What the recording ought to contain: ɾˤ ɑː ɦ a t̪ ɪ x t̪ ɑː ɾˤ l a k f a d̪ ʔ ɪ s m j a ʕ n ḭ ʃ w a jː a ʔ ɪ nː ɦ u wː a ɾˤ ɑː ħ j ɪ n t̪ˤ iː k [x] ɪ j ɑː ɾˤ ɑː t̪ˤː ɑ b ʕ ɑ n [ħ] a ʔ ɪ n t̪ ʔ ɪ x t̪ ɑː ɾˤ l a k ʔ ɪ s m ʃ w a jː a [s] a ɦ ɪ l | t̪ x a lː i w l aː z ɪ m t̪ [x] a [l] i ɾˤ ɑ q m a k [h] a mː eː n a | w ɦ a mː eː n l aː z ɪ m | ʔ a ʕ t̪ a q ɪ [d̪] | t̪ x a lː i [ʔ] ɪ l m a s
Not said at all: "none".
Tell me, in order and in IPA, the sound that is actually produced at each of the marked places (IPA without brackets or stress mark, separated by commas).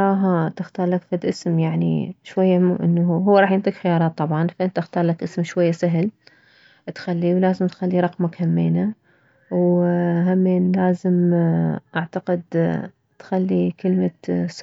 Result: x, f, s, x, lː, h, d̪, k